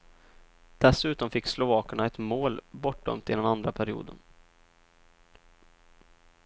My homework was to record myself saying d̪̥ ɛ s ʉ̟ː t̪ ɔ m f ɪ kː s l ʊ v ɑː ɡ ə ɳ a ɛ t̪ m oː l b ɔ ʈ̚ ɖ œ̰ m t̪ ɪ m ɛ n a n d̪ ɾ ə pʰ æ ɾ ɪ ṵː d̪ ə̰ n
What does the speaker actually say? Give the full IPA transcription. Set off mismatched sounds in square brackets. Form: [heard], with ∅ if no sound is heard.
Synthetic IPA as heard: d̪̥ ɛ s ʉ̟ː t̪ ɔ m f ɪ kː s l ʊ v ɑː [k] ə ɳ a ɛ t̪ m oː l b ɔ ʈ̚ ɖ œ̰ m t̪ ɪ [n] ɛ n a n d̪ ɾ [a] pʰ æ ɾ ɪ ṵː d̪ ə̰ n